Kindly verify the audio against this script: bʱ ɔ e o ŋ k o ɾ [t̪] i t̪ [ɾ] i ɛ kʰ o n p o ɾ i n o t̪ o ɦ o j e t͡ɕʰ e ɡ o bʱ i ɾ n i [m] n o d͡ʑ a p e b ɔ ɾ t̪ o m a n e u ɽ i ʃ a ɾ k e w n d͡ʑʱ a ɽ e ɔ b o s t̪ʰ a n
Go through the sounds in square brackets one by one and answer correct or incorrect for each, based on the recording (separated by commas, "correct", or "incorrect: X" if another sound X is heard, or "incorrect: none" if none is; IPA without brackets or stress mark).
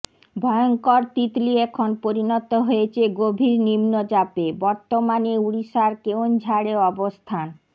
correct, incorrect: l, correct